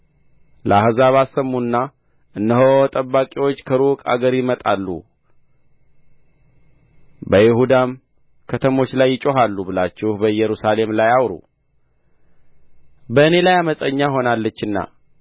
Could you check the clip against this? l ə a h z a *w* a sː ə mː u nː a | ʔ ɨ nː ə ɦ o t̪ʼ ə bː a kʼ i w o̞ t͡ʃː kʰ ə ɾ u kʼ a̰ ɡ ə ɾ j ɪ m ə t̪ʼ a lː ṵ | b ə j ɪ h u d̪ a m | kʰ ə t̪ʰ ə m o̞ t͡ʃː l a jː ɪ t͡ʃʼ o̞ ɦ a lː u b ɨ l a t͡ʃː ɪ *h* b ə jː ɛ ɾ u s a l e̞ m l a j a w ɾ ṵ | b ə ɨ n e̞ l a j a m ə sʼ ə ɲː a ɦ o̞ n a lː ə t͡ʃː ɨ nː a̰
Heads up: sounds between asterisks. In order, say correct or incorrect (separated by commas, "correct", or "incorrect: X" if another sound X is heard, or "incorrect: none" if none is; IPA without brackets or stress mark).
incorrect: β, correct